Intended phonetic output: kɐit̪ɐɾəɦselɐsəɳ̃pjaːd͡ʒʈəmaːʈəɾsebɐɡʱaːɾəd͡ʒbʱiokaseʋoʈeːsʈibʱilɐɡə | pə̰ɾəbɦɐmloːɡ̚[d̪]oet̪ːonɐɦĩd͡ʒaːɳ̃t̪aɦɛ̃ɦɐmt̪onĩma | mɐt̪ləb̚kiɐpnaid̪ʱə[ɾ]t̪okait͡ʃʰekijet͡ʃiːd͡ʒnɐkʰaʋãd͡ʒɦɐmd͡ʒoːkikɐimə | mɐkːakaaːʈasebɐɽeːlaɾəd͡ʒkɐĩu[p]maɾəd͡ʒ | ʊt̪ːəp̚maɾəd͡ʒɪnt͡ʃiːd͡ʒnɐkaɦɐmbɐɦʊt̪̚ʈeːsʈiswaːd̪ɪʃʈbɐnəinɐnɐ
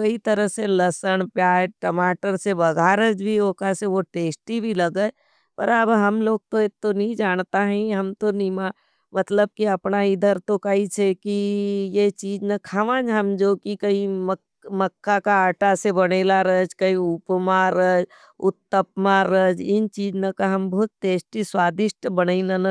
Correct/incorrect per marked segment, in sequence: incorrect, correct, correct

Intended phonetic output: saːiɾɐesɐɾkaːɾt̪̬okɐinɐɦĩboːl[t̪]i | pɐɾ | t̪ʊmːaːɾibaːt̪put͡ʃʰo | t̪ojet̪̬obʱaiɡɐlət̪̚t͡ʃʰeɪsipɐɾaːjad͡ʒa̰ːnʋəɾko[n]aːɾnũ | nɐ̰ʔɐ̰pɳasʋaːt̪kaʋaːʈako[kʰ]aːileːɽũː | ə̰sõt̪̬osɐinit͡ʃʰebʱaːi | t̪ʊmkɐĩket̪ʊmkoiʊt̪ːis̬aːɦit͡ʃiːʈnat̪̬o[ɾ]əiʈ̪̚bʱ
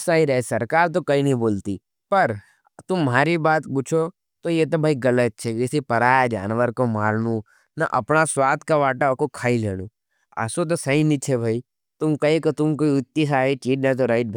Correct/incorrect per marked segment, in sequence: correct, incorrect, correct, correct

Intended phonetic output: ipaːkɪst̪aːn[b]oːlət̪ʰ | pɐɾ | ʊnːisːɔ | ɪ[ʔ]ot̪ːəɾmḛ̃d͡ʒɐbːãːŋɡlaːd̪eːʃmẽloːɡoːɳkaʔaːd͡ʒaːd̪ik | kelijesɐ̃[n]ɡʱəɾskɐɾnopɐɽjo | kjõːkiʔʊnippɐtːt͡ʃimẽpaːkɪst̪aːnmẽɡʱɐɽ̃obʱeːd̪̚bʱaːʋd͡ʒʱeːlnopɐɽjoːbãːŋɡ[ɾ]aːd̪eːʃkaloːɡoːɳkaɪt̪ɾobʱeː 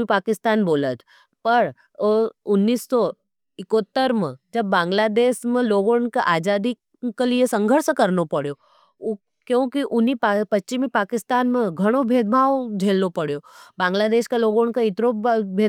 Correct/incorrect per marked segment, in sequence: correct, incorrect, incorrect, incorrect

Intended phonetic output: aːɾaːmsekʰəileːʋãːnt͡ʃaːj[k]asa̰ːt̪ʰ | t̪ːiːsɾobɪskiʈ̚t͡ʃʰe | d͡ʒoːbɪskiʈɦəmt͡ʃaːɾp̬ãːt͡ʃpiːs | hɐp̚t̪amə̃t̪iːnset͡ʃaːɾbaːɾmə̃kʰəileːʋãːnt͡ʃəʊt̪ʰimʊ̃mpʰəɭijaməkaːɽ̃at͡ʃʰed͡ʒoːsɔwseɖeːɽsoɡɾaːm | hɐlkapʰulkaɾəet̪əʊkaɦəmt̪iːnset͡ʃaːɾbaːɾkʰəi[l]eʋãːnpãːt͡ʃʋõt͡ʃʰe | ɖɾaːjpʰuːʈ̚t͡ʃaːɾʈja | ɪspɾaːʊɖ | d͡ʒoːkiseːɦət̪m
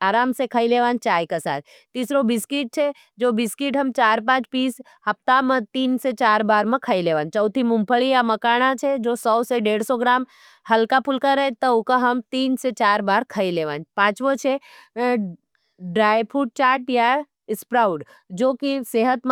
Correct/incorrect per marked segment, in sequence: correct, correct

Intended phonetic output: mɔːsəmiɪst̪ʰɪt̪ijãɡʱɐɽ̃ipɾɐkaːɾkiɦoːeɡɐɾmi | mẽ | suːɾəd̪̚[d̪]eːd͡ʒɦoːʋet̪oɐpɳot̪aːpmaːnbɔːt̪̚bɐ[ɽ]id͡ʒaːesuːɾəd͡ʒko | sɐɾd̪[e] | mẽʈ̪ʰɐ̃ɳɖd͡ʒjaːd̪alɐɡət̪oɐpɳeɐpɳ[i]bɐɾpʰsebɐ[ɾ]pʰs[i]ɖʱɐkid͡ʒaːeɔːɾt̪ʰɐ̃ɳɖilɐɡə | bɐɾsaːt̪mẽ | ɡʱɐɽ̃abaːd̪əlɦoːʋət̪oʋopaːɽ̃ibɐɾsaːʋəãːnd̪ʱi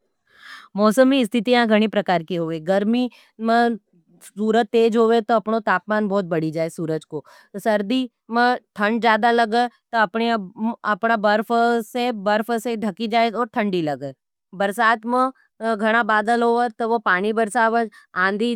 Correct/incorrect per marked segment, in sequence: incorrect, correct, incorrect, incorrect, correct, incorrect

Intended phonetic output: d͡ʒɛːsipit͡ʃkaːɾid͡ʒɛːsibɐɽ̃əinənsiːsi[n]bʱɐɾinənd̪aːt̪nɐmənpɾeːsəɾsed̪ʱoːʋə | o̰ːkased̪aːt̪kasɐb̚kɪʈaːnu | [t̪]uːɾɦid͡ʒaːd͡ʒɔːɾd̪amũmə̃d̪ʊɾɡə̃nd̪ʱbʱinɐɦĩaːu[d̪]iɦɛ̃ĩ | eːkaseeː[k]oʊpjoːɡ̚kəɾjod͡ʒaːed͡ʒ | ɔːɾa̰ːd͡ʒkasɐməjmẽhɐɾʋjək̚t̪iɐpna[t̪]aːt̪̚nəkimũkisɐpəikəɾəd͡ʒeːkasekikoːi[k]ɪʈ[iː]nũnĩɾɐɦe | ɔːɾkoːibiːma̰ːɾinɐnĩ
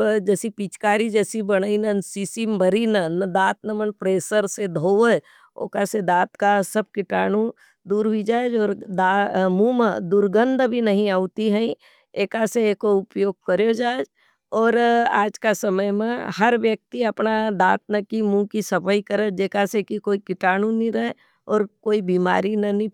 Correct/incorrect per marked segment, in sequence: incorrect, incorrect, incorrect, correct, incorrect, correct, incorrect

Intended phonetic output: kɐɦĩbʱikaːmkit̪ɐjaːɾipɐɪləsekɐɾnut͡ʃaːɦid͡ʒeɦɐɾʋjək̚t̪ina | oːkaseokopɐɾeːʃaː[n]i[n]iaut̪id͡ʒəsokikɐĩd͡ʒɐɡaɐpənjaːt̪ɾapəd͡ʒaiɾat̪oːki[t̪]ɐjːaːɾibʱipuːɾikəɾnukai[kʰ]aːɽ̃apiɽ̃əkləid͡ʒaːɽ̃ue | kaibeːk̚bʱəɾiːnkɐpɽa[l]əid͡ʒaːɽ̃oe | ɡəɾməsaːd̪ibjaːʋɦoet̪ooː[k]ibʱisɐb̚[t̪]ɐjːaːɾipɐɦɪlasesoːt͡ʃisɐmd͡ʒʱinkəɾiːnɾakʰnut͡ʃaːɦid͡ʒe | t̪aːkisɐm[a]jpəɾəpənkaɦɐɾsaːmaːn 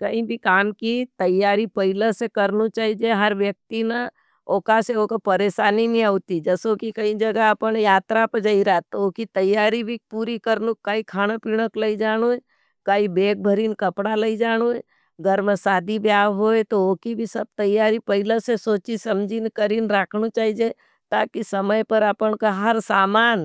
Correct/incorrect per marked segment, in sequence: correct, correct, correct, correct, correct, correct, correct, incorrect

